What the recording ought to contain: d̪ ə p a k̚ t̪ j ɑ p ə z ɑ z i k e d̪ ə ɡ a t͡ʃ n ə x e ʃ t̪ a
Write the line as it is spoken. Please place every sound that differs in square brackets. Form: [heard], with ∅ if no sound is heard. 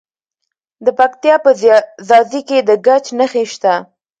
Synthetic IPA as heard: d̪ ə p a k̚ t̪ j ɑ p ə z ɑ z i k e d̪ ə ɡ a t͡ʃ n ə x e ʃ t̪ a

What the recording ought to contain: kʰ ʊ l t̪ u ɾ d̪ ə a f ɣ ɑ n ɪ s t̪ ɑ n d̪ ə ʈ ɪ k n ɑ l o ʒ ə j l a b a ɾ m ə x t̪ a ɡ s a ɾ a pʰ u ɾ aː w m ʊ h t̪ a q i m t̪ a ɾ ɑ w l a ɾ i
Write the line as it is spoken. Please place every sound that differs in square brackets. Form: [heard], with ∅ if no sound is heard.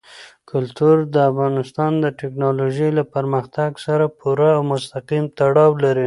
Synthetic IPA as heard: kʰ ʊ l t̪ u ɾ d̪ ə a f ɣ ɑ n ɪ s t̪ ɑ n d̪ ə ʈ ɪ k n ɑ l o ʒ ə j l a [p] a ɾ m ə x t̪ a ɡ s a ɾ a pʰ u ɾ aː w m ʊ [s] t̪ a q i m t̪ a [ɽ] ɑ w l a ɾ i

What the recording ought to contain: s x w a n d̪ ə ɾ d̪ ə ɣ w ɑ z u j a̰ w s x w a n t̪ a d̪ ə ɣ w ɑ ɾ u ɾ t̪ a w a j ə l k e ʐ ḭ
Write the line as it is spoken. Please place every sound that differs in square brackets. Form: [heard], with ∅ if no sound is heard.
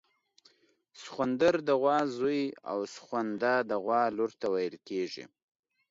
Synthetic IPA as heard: s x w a n d̪ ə ɾ d̪ ə ɣ w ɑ z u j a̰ w s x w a n [d̪] a d̪ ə ɣ w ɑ [l] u ɾ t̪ a w a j ə l k e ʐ ḭ

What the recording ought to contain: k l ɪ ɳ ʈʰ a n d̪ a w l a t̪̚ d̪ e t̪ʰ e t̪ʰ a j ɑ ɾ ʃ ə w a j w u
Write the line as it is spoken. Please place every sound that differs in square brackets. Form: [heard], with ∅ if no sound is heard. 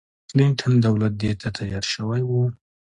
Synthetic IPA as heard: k l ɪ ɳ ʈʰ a n d̪ a w l a t̪̚ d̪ e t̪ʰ [a] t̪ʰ a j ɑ ɾ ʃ ə w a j w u

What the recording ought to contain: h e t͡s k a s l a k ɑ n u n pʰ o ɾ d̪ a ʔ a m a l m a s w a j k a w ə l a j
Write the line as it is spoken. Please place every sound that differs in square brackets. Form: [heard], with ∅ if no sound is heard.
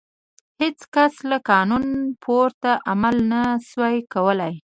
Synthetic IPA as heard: h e t͡s k a s l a k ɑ n u n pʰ o ɾ [t̪] a ʔ a m a l [n] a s w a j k a w ə l a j

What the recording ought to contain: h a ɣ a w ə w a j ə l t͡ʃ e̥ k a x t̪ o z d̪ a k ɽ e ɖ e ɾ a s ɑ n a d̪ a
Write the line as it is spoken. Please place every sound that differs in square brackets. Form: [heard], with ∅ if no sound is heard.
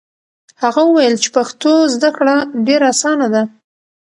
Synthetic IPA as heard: h a ɣ a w ə w a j ə l t͡ʃ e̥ [p] a x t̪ o z d̪ a k ɽ [a] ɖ e ɾ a s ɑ n a d̪ a

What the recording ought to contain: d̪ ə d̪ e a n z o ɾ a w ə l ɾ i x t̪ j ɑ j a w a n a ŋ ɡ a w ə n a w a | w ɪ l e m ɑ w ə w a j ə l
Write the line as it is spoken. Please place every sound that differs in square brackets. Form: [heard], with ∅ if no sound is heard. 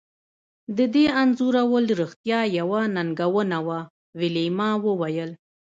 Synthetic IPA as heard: d̪ ə d̪ e a n z [u] ɾ a w ə l ɾ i x t̪ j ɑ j a w a n a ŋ ɡ a w ə n a w a | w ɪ l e m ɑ w ə w a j ə l

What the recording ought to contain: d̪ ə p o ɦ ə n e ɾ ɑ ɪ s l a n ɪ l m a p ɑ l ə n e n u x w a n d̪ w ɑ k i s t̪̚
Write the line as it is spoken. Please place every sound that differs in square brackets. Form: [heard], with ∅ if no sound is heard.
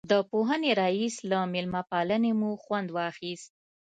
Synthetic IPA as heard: d̪ ə p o ɦ ə n e ɾ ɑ [i] s l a [m] ɪ l m a p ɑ l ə n e [m] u x w a n d̪ w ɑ [x] i s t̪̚

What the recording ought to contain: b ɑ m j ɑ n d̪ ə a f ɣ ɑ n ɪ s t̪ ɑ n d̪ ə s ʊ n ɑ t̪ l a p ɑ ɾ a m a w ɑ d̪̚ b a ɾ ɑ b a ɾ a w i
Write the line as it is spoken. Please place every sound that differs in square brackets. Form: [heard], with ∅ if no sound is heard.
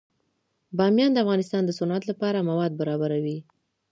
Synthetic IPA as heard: b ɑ m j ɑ n d̪ ə a f ɣ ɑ n ɪ s t̪ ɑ n d̪ ə s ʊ n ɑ t̪ l a p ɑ ɾ a m a w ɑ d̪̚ b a ɾ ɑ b a ɾ a w i

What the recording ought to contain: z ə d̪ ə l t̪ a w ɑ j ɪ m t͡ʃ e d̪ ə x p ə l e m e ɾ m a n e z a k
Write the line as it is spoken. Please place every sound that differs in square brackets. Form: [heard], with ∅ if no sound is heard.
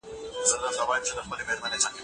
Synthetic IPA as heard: z ə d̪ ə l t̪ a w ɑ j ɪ m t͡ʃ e d̪ ə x p ə l e m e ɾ m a n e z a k

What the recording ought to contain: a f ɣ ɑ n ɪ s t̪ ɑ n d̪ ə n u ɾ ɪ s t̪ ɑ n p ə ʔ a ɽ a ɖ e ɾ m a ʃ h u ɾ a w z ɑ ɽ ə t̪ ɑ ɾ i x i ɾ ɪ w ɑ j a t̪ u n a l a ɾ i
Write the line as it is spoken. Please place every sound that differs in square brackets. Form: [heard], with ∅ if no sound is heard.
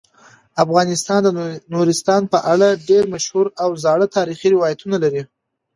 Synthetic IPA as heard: a f ɣ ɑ n ɪ s t̪ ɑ n d̪ ə n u ɾ ɪ s t̪ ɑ n p ə ʔ a ɽ a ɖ e ɾ m a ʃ h u ɾ a w z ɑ ɽ ə t̪ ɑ ɾ i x i ɾ ɪ w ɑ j a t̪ u n a l a ɾ i

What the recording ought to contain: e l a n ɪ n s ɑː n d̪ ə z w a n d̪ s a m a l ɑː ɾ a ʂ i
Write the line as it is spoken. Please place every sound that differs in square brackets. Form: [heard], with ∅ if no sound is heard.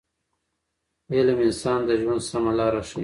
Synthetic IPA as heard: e l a [m] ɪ n s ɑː n d̪ ə [ʒ] w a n d̪ s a m a l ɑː ɾ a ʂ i

